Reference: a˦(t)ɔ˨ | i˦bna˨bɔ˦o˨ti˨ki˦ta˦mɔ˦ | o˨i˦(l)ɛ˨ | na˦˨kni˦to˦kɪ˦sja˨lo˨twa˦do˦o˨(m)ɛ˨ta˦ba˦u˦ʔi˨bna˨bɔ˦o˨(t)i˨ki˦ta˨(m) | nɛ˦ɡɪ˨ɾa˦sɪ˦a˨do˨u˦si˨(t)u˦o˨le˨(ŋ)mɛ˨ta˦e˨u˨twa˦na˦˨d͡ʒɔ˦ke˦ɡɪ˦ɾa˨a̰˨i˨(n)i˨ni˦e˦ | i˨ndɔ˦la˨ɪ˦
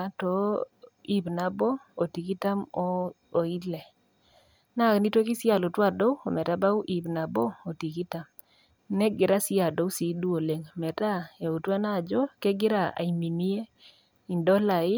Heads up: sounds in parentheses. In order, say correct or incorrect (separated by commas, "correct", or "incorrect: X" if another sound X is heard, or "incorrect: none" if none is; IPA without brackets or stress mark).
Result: correct, correct, correct, correct, correct, incorrect: d, correct, incorrect: m